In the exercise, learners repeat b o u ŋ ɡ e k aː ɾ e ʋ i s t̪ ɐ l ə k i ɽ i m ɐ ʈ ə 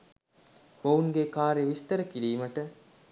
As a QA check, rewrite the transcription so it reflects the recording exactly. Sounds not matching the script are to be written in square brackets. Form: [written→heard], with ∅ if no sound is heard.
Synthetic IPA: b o u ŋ ɡ e k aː ɾ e ʋ i s t̪ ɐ [l→ɾ] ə k i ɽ [i→iː] m ɐ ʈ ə